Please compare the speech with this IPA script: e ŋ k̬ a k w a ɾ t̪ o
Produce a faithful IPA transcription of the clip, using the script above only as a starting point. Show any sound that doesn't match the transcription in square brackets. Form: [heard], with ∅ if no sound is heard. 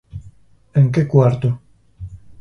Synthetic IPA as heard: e ŋ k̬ [e] k w a ɾ t̪ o